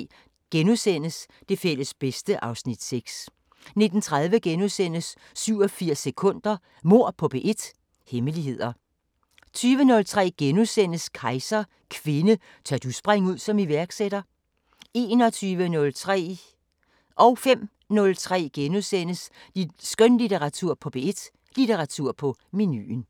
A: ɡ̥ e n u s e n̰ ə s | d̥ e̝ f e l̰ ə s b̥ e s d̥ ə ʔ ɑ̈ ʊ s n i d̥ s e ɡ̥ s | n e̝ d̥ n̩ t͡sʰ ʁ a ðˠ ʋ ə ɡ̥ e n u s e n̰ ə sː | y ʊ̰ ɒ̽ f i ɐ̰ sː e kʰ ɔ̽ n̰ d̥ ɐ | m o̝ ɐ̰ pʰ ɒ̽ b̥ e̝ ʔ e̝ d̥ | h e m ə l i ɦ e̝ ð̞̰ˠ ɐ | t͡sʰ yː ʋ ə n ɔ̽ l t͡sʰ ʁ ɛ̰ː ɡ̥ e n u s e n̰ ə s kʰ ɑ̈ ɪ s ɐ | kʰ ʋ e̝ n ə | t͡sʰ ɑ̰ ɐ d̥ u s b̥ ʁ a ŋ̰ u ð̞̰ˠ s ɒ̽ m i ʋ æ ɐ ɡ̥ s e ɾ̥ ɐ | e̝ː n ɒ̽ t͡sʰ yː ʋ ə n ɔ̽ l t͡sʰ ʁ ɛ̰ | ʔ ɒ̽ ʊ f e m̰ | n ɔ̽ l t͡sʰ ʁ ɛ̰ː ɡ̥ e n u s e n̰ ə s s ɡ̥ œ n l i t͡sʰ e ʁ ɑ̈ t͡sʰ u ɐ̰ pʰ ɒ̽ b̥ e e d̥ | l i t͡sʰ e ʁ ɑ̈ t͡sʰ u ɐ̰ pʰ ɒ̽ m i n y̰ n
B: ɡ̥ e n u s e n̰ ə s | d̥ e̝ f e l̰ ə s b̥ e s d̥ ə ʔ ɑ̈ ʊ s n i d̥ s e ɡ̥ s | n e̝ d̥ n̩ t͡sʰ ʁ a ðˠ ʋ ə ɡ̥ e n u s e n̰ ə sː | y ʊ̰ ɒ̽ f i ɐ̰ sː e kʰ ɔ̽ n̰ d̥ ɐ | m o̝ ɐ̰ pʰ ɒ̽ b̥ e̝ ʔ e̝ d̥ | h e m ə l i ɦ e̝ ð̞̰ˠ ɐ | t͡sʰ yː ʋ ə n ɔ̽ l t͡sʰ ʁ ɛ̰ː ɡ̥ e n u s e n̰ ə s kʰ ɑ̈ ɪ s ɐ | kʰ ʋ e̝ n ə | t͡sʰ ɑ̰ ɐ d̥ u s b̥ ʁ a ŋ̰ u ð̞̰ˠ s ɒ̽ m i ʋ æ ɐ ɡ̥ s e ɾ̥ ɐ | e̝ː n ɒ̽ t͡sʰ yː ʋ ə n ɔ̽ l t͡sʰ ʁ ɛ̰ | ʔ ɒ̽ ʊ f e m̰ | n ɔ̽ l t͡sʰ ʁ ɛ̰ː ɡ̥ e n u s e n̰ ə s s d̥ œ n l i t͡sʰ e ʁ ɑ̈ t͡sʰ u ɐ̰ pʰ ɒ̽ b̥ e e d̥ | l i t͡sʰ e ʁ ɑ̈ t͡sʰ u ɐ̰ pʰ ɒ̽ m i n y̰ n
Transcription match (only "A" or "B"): A